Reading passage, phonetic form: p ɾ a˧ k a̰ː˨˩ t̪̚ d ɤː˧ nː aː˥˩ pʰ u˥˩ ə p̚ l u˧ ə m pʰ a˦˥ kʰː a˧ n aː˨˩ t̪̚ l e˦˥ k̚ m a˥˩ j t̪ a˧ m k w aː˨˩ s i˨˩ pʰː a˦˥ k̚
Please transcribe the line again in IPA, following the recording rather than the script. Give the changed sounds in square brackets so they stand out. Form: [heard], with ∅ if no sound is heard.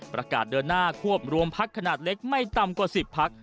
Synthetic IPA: p ɾ a˧ k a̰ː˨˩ t̪̚ d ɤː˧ nː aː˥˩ [kʰ] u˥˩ ə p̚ [ɾ] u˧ ə m pʰ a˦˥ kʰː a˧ n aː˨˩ t̪̚ l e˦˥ k̚ m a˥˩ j t̪ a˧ m k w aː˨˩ s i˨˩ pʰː a˦˥ k̚